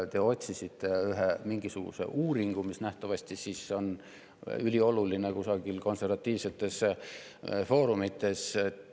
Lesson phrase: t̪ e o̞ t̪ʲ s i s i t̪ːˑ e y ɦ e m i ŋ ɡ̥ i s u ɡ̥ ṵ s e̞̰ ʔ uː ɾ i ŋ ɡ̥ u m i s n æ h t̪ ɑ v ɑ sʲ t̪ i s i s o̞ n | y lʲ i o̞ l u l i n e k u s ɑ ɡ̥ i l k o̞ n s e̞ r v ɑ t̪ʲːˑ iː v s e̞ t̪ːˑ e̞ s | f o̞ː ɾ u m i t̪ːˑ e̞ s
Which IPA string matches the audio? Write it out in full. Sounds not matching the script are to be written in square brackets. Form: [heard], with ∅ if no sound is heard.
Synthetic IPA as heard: t̪ e o̞ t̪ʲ s i s i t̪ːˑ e y ɦ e m i ŋ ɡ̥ i s u ɡ̥ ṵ s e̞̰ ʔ uː ɾ i ŋ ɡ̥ u m i s n æ h t̪ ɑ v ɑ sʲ t̪ i s i s o̞ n | y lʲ i o̞ l u l i n e k u s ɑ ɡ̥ i l k o̞ n s e̞ r v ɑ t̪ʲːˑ iː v s e̞ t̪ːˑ e̞ s | f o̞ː ɾ u m i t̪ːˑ e̞ s